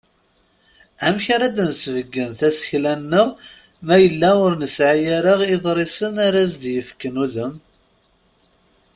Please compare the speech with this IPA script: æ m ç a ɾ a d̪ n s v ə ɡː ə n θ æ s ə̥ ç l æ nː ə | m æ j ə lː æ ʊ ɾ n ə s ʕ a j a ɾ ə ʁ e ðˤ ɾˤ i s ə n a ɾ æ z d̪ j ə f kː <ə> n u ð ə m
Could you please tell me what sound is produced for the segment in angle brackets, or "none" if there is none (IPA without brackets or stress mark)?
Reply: ə